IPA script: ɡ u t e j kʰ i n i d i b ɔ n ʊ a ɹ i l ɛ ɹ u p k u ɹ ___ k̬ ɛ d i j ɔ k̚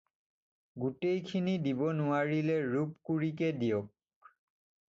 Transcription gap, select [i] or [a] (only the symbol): i